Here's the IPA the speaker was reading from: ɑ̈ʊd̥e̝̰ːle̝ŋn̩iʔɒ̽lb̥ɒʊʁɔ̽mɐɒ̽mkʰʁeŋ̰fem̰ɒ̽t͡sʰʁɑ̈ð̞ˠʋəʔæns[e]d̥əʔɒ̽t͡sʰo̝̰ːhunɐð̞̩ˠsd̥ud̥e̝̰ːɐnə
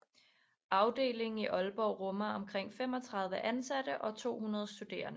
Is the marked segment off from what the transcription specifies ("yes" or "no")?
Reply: yes